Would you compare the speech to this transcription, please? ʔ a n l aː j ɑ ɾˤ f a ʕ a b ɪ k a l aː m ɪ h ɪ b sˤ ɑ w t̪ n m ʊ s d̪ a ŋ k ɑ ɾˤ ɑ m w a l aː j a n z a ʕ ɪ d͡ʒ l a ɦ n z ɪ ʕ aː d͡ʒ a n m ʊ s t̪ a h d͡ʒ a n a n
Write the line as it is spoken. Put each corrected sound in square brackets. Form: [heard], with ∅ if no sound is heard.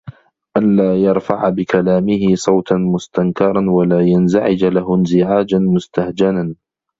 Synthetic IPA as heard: ʔ a n l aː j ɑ ɾˤ f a ʕ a b ɪ k a l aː m ɪ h ɪ [∅] sˤ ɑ w t̪ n m ʊ s [t̪] a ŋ k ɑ ɾˤ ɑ [n] w a l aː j a n z a ʕ ɪ d͡ʒ l a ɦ n z ɪ ʕ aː d͡ʒ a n m ʊ s t̪ a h d͡ʒ a n a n

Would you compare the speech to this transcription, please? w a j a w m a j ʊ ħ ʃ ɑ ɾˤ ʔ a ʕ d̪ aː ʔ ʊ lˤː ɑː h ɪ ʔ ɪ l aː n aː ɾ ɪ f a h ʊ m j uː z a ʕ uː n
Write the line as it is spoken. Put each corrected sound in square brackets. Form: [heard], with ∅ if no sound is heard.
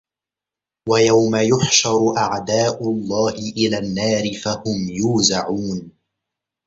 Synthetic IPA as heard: w a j a w m a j ʊ ħ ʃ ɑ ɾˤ ʔ a ʕ d̪ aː ʔ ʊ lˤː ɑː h ɪ ʔ ɪ l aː [nː] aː ɾ ɪ f a h ʊ m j uː z a ʕ uː n

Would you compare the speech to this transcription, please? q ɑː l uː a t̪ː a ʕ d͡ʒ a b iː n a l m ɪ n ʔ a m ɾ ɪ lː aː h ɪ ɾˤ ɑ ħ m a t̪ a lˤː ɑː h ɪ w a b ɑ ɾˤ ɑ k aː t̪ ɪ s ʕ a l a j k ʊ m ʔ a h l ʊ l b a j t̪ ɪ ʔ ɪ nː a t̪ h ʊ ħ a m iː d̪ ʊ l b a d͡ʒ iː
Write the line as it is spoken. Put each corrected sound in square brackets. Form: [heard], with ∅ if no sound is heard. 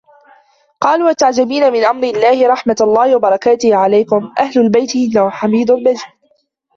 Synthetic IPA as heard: q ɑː l uː a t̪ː a ʕ d͡ʒ a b iː n a [∅] m ɪ n ʔ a m ɾ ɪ lː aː h ɪ ɾˤ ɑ ħ m a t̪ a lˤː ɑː h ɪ w a b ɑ ɾˤ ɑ k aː t̪ ɪ [h] ʕ a l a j k ʊ m ʔ a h l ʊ l b a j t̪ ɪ ʔ ɪ nː a [∅] h ʊ ħ a m iː d̪ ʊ l b a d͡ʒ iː

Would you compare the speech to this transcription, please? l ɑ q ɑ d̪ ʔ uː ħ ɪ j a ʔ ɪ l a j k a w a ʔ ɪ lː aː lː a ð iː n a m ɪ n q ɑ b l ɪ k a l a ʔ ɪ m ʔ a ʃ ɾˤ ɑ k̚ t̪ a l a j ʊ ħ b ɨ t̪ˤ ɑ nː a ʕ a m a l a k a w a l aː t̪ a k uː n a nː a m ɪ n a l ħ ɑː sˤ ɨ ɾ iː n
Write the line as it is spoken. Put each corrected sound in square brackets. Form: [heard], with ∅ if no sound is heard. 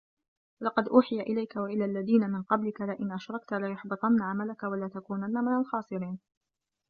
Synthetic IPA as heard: l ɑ q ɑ d̪ ʔ uː ħ ɪ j a ʔ ɪ l a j k a w a ʔ ɪ [l] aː lː a ð iː n a m ɪ n q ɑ b l ɪ k a l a ʔ ɪ [n] ʔ a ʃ ɾˤ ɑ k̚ t̪ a l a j ʊ ħ b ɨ t̪ˤ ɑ nː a ʕ a m a l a k a w a l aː t̪ a k uː n a nː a m ɪ n a l [x] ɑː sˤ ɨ ɾ iː n

